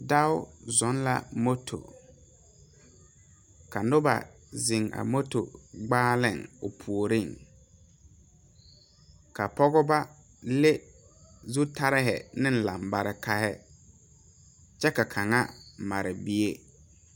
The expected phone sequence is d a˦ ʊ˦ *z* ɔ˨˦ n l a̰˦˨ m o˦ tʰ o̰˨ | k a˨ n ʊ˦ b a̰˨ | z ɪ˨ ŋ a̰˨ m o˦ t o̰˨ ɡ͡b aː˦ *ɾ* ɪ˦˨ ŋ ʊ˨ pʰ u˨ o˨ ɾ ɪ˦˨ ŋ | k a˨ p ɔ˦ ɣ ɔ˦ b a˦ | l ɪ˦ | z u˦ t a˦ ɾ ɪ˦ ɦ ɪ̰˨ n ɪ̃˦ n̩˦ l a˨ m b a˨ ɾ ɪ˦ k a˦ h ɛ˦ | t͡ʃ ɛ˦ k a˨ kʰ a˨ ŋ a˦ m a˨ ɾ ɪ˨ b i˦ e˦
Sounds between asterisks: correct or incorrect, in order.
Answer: correct, incorrect

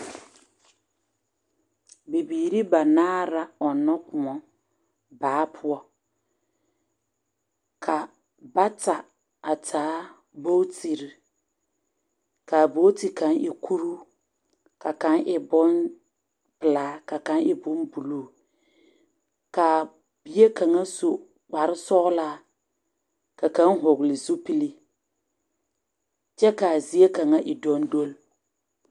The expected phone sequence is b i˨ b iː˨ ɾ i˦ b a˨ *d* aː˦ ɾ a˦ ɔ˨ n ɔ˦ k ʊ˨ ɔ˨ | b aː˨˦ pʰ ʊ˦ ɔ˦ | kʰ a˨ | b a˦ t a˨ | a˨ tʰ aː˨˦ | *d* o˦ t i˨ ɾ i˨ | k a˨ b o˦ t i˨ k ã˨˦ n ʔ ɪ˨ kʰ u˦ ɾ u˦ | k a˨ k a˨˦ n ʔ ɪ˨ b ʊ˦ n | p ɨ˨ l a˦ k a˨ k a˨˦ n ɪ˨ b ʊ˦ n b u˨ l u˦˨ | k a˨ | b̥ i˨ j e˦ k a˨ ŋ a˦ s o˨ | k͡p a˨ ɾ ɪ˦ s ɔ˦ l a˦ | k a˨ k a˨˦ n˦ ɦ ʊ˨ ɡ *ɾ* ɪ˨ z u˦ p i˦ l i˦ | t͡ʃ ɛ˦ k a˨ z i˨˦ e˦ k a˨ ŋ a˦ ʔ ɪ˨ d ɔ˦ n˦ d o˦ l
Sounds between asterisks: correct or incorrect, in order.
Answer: incorrect, incorrect, incorrect

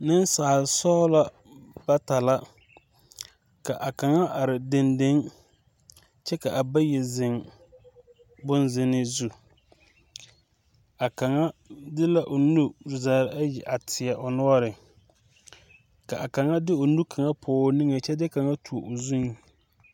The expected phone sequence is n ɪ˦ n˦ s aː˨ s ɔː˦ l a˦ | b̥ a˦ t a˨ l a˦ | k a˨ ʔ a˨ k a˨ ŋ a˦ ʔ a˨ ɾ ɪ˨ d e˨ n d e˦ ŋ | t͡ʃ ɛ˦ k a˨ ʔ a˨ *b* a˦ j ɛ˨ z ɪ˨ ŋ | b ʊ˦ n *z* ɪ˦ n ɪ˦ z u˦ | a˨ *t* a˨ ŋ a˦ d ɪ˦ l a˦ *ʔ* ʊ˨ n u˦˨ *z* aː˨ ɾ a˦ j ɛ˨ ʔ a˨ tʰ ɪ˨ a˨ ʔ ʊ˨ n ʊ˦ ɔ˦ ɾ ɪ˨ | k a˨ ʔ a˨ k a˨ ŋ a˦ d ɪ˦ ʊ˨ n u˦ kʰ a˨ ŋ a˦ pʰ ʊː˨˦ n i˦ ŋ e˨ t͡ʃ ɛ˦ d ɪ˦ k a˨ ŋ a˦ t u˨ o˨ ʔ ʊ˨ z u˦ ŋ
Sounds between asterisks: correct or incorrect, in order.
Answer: correct, correct, incorrect, correct, correct

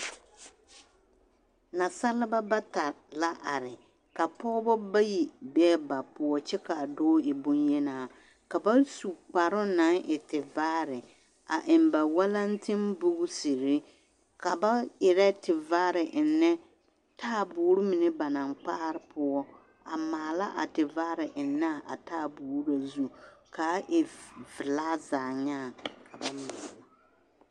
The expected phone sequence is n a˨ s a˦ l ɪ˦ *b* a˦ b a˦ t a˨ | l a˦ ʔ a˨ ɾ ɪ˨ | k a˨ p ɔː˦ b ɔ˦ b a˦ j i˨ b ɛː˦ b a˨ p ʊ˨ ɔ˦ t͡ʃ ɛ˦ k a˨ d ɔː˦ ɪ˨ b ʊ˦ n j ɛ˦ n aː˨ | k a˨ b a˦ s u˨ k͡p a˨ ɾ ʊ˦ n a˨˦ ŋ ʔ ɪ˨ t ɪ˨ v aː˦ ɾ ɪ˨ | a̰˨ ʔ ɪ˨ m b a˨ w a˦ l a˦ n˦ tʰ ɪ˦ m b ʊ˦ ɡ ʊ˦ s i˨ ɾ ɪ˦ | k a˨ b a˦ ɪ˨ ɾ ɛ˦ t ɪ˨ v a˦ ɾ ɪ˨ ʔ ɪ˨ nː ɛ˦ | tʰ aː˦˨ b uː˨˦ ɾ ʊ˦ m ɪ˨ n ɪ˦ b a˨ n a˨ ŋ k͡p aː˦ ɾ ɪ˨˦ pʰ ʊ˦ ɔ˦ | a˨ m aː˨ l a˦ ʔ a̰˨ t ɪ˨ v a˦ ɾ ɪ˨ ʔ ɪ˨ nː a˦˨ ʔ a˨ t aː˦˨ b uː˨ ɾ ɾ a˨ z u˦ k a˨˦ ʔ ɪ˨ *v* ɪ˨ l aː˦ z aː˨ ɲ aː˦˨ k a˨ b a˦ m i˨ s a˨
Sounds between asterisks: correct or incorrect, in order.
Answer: correct, correct

